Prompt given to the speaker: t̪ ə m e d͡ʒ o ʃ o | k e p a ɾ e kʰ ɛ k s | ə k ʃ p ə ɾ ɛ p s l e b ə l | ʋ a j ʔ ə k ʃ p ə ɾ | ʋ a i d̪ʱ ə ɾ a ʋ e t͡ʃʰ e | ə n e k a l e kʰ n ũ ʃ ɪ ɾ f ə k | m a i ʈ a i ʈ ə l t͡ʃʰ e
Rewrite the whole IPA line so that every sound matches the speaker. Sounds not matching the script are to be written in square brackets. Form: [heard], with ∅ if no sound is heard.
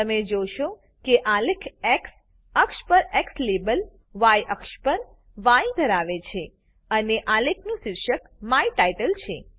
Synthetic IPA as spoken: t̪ ə m e d͡ʒ o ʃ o | k e [ʔ] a [l] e kʰ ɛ k s | ə k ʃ p ə ɾ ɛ [k] s l e b ə l | ʋ a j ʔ ə k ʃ p ə ɾ | ʋ a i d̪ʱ ə ɾ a ʋ e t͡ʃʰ e | ə n e [ʔ] a l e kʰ n ũ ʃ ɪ ɾ [ʃ] ə k | m a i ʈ a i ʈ ə l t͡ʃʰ e